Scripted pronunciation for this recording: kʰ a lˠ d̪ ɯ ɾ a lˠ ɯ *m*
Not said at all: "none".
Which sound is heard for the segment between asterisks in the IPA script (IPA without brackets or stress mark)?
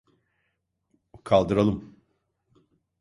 m